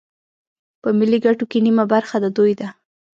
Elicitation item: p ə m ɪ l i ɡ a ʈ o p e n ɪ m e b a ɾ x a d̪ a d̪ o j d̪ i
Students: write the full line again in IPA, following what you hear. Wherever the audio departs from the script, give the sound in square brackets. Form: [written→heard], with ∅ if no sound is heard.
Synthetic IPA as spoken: p ə m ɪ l i ɡ a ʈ o [p→k] e n [ɪ→i] m [e→a] b a ɾ x a d̪ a d̪ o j d̪ [i→a]